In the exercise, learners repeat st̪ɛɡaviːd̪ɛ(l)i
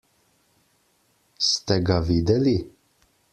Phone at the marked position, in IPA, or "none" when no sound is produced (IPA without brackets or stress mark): l